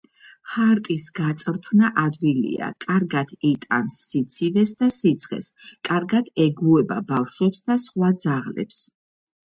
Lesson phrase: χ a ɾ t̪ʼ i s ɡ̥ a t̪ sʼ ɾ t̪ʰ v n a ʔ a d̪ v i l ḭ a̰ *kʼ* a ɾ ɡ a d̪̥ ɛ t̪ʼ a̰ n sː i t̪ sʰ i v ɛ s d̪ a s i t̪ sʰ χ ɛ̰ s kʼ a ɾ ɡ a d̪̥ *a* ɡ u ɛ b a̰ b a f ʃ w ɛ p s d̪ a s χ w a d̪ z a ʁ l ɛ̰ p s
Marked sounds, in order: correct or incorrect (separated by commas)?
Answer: correct, incorrect